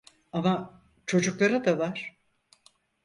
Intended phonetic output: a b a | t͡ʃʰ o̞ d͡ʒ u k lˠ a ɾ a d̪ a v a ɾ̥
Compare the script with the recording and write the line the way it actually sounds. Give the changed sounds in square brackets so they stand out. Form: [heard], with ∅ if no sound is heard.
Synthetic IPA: a [m] a | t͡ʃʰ o̞ d͡ʒ u k lˠ a ɾ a d̪ a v a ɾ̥

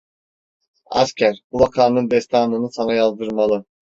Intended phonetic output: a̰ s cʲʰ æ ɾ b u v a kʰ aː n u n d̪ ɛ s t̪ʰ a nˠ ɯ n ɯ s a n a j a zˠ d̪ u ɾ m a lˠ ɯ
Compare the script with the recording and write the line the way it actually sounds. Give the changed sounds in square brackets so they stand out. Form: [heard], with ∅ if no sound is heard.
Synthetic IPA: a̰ s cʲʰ æ ɾ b u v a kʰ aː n [ɯ] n d̪ ɛ s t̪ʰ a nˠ ɯ n ɯ s a n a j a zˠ d̪ [ɯ] ɾ m a lˠ ɯ

